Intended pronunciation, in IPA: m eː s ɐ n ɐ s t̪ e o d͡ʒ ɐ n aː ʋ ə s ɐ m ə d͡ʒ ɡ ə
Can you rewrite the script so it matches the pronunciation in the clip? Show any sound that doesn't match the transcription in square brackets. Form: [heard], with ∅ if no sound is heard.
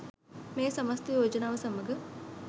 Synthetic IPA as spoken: m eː s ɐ [m] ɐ s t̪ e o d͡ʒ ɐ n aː ʋ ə s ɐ m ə [∅] ɡ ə

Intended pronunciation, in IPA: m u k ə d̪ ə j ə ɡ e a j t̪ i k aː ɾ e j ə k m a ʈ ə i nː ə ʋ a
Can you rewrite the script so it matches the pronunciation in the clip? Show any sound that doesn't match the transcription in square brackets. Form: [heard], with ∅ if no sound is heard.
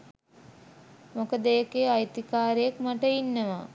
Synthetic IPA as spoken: m [o] k ə d̪ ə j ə [k] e a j t̪ i k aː ɾ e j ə k m a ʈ ə i nː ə ʋ a

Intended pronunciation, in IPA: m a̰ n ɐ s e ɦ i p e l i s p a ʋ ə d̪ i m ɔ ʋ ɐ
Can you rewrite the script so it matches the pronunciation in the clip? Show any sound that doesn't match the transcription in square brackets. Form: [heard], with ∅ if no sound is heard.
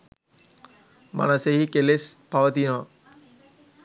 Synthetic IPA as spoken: m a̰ n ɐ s e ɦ i [k] e l [e] s p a ʋ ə [t̪] i [n] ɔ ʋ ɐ

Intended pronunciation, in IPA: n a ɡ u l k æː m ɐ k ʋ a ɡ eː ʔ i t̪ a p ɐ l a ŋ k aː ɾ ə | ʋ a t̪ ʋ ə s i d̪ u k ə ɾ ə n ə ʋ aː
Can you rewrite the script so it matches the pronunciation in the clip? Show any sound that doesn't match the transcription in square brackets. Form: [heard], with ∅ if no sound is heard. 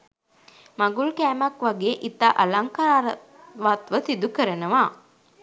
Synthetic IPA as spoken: [m] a ɡ u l k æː m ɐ k ʋ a ɡ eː ʔ i t̪ a [ʔ] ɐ l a ŋ k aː ɾ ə | ʋ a t̪ ʋ ə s i d̪ u k ə ɾ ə n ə ʋ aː

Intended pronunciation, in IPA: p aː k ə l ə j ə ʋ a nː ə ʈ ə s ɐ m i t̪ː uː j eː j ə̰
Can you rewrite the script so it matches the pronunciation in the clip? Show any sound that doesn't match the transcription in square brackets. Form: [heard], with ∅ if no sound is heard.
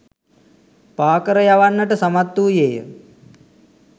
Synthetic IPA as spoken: p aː k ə [ɾ] ə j [a] ʋ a nː ə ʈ ə s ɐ m [a] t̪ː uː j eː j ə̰

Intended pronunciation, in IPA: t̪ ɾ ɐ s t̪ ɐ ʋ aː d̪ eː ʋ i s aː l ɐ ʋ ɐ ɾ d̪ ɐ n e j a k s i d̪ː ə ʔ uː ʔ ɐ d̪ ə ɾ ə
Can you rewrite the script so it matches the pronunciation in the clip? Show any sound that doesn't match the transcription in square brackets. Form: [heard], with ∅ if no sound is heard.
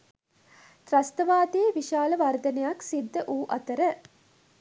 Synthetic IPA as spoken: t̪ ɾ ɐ s t̪ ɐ ʋ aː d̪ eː ʋ i [ʃ] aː l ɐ ʋ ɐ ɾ d̪ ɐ n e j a k s i d̪ː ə ʔ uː ʔ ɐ [t̪] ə ɾ ə

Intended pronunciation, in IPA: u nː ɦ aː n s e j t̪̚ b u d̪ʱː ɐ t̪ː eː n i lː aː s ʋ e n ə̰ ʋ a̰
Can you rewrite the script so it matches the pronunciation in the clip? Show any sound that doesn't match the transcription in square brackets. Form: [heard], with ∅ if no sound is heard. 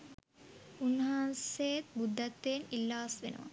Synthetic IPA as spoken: u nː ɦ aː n s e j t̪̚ b u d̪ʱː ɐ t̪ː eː n i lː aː s ʋ e n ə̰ ʋ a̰

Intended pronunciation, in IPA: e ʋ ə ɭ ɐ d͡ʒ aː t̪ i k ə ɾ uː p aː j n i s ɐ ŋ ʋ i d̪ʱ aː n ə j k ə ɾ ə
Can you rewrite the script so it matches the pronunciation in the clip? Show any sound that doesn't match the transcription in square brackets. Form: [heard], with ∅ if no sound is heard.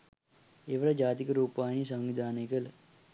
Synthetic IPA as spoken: e ʋ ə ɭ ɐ d͡ʒ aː t̪ i k ə ɾ uː p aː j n i s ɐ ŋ ʋ i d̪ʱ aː n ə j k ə [l] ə

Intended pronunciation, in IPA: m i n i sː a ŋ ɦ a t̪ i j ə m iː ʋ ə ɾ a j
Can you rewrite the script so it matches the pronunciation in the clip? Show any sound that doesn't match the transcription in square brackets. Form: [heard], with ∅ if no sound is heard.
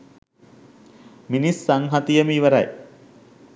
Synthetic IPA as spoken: m i n i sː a ŋ ɦ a t̪ i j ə m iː ʋ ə ɾ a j

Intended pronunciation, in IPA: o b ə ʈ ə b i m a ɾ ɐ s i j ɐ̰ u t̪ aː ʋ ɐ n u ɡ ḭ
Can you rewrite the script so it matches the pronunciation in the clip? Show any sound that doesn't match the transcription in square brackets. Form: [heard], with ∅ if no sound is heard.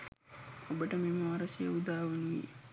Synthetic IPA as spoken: o b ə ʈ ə [m] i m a ɾ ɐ s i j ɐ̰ u [d̪] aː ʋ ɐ n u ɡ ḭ

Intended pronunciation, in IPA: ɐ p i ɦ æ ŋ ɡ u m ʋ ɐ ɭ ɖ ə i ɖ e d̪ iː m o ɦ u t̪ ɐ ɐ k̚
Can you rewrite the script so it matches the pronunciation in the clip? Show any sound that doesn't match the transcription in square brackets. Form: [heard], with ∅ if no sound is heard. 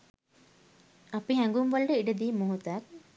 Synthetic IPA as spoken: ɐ p i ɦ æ ŋ ɡ u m ʋ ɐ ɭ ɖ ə i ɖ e d̪ iː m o ɦ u t̪ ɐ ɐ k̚

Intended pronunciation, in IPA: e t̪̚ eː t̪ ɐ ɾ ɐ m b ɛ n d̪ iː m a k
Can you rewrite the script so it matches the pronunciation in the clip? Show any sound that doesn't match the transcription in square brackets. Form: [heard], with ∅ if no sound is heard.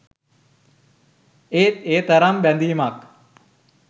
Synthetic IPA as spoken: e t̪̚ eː t̪ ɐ ɾ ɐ m b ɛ n d̪ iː m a k

